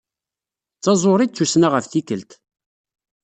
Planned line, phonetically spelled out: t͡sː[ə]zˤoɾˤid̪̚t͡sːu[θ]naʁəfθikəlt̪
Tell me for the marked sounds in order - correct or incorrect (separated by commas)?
incorrect, incorrect